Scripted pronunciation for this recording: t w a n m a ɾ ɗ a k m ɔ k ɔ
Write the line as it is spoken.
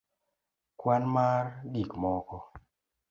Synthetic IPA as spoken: k w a n m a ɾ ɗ i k m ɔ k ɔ